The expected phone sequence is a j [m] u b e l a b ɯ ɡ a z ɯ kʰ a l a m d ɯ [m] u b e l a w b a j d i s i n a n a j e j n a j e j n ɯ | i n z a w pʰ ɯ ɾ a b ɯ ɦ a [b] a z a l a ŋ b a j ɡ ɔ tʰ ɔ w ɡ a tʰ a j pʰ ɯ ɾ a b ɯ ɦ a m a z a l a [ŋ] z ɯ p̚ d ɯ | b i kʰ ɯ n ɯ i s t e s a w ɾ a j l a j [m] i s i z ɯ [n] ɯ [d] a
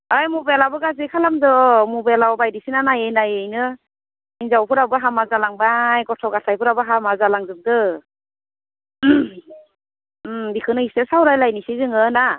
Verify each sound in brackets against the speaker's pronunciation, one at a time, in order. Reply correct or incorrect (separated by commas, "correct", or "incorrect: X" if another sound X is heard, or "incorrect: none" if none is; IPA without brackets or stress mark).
correct, correct, incorrect: m, correct, incorrect: n, incorrect: ŋ, incorrect: n